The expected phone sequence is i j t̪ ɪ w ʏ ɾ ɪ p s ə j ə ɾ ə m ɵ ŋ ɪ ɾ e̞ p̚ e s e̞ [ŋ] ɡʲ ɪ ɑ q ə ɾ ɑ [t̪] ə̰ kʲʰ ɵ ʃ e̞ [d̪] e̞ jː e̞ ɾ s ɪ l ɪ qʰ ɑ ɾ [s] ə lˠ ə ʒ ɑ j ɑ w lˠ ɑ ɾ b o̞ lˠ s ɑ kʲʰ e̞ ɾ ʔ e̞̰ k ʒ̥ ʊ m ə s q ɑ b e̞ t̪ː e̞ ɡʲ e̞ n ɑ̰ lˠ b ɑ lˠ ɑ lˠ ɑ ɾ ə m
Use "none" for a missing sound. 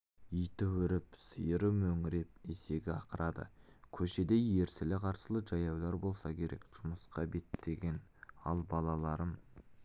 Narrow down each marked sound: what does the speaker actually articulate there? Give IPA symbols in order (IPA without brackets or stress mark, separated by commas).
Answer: none, d̪, d̪, s